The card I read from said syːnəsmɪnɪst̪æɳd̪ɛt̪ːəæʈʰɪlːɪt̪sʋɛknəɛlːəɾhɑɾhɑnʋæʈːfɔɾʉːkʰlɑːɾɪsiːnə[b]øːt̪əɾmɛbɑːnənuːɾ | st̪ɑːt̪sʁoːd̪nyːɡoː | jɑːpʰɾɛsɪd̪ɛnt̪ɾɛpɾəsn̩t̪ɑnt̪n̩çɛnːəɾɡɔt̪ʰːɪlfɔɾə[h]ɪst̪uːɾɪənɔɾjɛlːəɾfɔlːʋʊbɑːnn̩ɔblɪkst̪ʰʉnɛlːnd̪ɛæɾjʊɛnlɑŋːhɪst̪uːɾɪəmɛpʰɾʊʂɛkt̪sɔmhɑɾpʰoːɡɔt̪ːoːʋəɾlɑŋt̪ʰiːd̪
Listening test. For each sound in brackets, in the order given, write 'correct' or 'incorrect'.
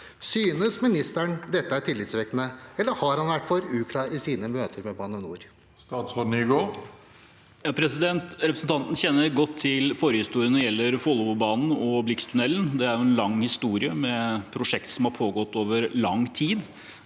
incorrect: m, correct

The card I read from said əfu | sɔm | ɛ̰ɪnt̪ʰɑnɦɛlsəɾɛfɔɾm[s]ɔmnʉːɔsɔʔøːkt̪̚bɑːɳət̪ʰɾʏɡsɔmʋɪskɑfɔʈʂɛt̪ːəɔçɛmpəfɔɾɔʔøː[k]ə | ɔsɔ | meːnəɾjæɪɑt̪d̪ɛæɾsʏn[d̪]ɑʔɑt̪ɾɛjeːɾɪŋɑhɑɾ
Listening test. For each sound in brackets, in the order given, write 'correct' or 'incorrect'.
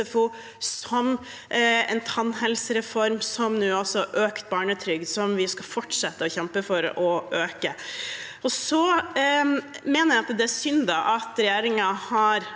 correct, correct, correct

